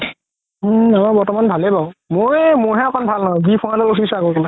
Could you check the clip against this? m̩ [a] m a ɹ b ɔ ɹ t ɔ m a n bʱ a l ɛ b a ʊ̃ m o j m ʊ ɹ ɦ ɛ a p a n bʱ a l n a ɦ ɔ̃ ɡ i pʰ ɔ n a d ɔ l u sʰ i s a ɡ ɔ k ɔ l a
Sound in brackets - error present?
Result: no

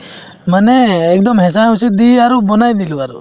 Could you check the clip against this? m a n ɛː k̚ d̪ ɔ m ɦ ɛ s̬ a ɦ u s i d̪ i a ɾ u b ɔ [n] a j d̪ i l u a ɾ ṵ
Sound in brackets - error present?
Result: no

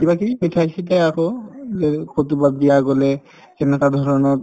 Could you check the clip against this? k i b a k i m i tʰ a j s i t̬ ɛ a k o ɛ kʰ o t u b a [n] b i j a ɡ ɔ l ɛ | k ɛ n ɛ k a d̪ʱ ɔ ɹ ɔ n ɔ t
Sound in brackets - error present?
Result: yes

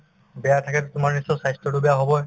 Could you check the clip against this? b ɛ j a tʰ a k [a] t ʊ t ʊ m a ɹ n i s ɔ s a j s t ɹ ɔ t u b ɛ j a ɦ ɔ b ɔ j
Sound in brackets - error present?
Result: yes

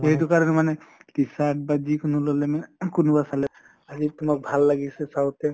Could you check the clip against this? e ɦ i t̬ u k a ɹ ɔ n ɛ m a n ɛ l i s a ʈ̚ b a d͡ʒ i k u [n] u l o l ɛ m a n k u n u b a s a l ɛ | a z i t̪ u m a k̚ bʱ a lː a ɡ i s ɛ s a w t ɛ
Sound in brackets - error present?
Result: no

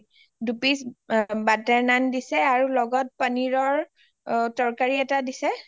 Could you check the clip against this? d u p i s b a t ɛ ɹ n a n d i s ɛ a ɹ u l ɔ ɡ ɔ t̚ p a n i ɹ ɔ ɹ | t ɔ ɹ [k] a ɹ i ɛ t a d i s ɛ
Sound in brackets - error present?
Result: no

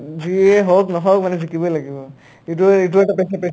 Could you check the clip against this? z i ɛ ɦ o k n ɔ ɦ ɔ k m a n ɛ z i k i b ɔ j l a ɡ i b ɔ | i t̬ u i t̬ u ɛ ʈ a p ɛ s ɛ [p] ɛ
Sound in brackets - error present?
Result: no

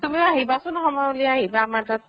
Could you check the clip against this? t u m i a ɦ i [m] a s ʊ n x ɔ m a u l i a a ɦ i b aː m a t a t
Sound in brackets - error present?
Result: yes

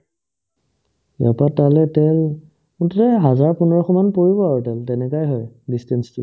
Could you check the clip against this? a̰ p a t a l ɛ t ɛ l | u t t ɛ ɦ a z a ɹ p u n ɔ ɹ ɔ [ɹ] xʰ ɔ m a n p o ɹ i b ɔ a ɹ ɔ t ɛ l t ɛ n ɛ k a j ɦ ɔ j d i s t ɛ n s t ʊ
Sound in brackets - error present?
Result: yes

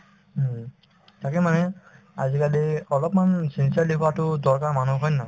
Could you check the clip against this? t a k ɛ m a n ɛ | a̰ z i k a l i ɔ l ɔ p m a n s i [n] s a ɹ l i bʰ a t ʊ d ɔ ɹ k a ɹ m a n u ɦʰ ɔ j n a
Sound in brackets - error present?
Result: no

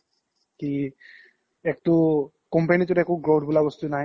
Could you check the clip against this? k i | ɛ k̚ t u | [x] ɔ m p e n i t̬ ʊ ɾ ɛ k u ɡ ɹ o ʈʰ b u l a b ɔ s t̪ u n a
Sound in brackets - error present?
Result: yes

